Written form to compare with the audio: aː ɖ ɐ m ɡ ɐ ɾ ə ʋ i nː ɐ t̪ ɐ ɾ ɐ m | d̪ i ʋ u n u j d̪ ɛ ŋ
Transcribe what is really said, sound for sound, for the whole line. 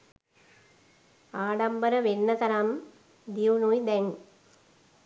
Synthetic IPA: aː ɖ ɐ m b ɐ ɾ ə ʋ e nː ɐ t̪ ɐ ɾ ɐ m | d̪ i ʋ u n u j d̪ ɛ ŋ